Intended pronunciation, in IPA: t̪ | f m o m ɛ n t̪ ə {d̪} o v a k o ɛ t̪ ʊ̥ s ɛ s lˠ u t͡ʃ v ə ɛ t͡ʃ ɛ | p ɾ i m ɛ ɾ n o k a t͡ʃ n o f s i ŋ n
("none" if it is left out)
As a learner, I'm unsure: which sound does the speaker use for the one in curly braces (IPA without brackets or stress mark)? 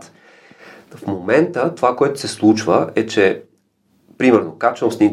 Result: t̪